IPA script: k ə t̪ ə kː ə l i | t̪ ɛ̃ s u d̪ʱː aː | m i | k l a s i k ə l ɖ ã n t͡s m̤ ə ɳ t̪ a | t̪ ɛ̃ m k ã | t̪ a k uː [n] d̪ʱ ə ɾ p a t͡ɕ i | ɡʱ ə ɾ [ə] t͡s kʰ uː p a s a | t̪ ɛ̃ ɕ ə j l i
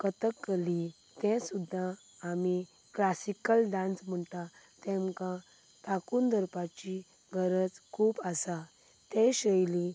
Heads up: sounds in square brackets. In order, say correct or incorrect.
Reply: correct, correct

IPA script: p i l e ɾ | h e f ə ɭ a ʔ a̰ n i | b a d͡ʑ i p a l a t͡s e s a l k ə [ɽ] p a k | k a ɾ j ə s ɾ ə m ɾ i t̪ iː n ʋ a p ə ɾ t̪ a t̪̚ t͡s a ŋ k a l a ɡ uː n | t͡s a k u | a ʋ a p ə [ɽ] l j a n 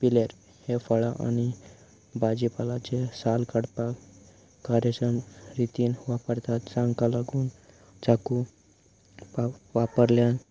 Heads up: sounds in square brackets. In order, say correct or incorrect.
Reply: correct, incorrect

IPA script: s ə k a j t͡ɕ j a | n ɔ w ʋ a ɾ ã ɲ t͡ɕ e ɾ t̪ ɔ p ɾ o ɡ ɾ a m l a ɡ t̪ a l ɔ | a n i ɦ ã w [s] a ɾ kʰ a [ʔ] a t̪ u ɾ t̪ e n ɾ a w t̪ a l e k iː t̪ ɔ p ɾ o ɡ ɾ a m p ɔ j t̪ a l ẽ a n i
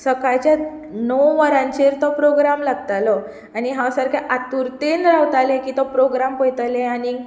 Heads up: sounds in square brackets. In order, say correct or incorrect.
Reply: correct, correct

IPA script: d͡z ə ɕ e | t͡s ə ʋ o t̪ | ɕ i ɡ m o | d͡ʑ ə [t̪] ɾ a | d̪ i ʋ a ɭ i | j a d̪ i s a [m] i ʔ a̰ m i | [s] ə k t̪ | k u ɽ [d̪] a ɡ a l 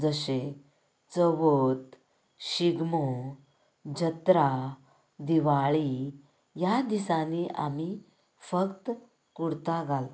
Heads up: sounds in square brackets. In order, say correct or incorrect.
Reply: correct, incorrect, incorrect, incorrect

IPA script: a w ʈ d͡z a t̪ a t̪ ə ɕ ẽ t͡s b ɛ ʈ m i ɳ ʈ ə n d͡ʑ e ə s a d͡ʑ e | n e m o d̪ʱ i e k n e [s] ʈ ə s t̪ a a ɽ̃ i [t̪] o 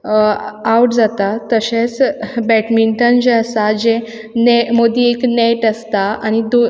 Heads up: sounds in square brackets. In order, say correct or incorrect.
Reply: incorrect, incorrect

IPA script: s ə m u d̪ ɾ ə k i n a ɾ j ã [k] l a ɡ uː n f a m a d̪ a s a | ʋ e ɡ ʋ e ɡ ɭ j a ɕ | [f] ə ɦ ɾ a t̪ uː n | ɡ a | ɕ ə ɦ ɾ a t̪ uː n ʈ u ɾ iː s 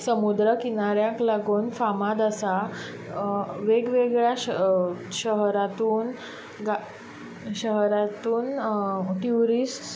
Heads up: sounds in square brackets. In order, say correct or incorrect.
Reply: correct, incorrect

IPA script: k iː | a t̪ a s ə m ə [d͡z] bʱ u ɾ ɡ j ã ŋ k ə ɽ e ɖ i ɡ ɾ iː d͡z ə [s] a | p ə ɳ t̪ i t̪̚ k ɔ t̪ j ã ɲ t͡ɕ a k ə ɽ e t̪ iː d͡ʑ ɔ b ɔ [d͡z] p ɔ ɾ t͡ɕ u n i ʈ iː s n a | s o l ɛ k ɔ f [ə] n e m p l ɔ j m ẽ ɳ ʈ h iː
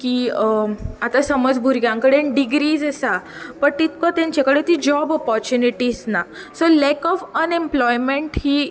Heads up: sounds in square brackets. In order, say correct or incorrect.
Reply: correct, correct, incorrect, correct

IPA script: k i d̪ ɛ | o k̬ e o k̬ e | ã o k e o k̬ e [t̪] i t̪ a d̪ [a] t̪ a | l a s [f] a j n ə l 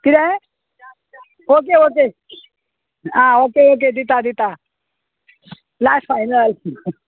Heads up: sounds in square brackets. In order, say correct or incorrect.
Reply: incorrect, incorrect, correct

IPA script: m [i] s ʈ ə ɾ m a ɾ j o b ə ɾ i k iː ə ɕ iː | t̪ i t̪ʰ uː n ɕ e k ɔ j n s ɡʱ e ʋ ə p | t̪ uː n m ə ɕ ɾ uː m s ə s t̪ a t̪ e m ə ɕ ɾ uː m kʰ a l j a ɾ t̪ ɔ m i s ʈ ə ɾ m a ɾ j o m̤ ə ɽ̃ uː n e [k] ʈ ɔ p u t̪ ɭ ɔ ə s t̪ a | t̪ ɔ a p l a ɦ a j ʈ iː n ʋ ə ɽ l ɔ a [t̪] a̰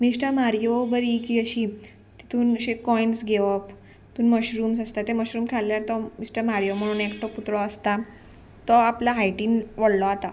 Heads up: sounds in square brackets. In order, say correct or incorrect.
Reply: correct, correct, correct

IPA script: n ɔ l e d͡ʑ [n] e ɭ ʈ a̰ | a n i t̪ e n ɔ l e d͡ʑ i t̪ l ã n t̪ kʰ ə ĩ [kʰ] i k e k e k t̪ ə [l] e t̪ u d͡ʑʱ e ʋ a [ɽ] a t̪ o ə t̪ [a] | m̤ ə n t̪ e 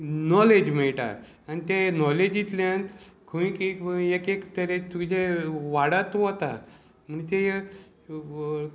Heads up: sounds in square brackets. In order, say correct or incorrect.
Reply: incorrect, incorrect, incorrect, correct, correct

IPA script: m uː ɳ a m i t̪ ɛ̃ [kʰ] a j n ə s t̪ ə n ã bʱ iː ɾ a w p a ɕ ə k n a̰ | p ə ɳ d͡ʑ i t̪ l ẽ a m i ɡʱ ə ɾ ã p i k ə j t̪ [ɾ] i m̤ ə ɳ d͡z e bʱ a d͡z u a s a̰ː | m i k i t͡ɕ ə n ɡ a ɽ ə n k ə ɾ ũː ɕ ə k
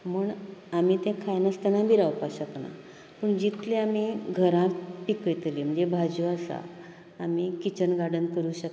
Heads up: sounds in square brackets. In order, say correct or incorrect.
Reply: correct, incorrect

